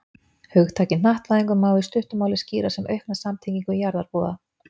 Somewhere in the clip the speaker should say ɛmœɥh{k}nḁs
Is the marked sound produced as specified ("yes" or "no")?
yes